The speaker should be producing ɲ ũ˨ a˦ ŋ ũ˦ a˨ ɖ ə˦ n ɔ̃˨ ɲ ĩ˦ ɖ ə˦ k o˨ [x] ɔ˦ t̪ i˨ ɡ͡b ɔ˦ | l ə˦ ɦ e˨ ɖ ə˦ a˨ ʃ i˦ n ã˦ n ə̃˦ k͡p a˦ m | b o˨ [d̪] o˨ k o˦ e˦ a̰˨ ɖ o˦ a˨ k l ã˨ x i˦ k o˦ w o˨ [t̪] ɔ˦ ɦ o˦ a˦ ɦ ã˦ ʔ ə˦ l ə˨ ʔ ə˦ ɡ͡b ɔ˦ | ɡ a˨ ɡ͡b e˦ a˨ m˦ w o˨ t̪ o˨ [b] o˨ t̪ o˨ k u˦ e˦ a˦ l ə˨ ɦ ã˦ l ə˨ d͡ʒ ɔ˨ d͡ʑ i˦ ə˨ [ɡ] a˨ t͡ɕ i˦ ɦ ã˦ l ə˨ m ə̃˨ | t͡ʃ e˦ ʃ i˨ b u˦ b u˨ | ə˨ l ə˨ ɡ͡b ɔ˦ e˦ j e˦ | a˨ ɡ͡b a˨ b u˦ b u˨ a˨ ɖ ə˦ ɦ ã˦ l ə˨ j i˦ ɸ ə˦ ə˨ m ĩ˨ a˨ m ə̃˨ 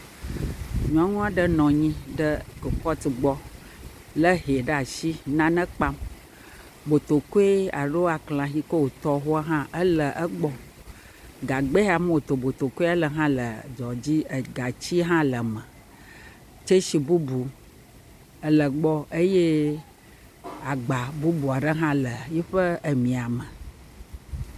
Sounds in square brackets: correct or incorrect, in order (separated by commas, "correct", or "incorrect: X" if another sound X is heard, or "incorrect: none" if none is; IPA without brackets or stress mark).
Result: incorrect: k, incorrect: t̪, correct, correct, correct